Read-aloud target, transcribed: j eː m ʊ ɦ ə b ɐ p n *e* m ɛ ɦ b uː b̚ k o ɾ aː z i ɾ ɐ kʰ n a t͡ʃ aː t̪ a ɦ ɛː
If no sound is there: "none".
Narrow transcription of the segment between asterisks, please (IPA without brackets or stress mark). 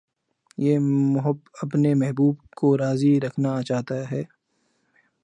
e